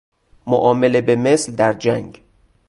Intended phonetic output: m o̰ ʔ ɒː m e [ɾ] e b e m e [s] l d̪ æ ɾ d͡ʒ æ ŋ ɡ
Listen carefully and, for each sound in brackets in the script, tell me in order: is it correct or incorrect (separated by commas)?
incorrect, correct